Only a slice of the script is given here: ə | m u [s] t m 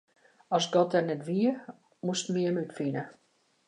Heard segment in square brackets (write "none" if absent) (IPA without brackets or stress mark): s